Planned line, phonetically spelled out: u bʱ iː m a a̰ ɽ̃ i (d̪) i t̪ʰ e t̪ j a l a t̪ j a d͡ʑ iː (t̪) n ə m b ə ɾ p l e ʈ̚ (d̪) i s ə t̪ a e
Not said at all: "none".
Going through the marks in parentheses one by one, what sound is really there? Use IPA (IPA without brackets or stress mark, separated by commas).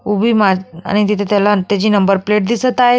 t̪, none, d̪